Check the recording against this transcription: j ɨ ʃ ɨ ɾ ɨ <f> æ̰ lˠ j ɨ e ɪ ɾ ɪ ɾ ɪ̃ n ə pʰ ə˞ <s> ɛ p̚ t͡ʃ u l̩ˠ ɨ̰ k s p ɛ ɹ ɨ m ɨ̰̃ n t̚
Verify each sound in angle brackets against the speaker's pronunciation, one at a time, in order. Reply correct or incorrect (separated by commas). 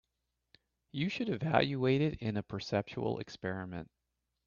incorrect, correct